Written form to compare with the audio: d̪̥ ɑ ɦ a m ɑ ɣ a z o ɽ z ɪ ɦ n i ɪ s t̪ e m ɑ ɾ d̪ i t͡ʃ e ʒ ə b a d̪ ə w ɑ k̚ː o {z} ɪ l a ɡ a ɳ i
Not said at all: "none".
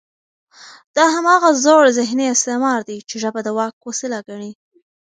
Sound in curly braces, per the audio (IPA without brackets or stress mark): s